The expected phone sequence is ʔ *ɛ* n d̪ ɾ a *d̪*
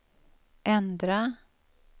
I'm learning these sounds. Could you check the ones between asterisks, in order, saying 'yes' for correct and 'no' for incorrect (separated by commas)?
yes, no